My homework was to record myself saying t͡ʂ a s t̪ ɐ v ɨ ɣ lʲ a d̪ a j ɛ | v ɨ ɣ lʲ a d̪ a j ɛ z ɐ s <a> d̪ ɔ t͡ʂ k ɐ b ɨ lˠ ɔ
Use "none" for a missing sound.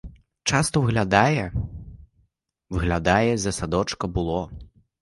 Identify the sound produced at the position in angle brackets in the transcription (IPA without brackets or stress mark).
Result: a